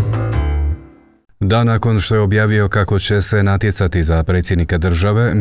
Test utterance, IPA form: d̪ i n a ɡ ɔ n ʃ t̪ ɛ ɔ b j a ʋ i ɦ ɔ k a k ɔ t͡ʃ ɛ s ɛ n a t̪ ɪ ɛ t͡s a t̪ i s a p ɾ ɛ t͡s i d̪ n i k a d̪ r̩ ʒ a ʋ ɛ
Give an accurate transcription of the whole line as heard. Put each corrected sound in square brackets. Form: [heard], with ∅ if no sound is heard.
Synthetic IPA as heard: d̪ [a] n a [k] ɔ n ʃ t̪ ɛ ɔ b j a ʋ i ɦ ɔ k a k ɔ t͡ʃ ɛ s ɛ n a t̪ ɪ ɛ t͡s a t̪ i [z] a p ɾ ɛ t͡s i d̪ n i k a d̪ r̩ ʒ a ʋ ɛ